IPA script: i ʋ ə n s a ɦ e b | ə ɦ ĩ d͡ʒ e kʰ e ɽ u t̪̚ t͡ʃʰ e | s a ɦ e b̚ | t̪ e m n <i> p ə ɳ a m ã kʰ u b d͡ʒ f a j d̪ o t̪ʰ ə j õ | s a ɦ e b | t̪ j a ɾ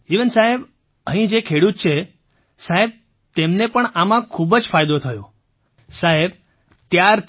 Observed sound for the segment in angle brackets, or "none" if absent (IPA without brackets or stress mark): e